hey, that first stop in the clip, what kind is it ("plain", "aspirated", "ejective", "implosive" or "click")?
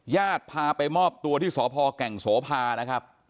plain